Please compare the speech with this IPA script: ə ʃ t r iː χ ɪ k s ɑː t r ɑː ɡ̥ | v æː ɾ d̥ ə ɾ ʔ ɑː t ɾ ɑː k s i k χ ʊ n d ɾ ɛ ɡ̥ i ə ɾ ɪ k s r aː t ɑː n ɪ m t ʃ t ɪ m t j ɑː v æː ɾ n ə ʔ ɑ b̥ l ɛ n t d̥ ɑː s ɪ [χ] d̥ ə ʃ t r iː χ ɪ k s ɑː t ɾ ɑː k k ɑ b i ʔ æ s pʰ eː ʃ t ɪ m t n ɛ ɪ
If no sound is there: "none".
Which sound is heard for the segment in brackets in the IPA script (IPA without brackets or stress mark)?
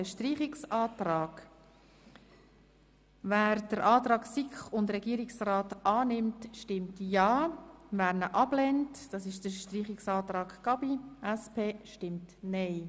ʃ